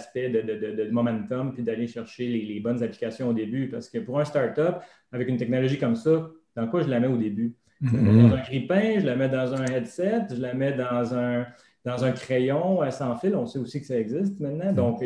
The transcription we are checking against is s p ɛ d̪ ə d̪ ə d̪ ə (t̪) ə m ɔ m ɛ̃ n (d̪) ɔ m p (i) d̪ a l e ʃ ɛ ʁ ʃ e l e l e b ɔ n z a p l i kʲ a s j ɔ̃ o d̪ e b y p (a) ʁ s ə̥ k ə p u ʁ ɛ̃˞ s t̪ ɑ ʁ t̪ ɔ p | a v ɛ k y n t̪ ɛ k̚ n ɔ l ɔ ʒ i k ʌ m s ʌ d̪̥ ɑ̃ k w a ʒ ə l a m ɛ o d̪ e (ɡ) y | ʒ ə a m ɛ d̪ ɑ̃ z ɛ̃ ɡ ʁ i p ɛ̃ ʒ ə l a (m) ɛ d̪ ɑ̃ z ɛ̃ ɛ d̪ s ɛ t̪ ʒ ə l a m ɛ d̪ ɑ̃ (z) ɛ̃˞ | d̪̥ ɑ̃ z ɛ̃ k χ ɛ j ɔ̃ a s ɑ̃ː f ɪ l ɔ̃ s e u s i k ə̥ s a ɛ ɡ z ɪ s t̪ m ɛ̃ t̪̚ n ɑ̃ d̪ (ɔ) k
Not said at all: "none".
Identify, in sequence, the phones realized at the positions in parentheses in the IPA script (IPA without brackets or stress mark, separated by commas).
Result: d̪, t̪, i, a, b, m, z, ɔ̃